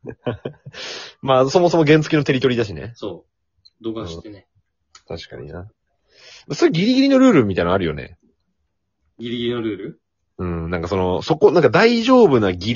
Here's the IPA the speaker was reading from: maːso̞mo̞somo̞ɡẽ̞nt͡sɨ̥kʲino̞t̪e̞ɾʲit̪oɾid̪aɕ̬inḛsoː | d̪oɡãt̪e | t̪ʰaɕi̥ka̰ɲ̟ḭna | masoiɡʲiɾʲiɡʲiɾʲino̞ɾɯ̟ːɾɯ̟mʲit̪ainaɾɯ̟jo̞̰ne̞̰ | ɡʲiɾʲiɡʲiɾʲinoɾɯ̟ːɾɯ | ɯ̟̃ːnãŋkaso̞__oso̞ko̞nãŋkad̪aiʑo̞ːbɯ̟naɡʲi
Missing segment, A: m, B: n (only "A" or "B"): B